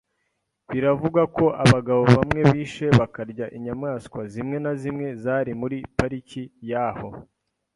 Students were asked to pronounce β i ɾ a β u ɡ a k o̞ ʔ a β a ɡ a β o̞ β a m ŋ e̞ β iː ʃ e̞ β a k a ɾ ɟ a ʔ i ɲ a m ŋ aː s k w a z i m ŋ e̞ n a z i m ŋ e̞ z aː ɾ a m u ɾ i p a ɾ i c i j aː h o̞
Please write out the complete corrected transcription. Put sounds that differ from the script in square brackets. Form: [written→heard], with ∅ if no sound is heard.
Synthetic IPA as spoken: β i ɾ a [β→v] u ɡ a k o̞ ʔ a β a ɡ a β o̞ β a m ŋ e̞ β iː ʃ e̞ β a k a ɾ ɟ a ʔ i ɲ a m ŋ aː s k w a z i m ŋ e̞ n a z i m ŋ e̞ z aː ɾ [a→i] m u ɾ i p a ɾ i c i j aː h o̞